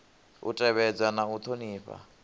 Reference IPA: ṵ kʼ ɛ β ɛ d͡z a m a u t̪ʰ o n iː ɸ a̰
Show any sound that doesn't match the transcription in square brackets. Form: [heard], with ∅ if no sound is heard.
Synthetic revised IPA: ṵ [tʼ] ɛ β ɛ d͡z a [n] a u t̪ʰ o n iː ɸ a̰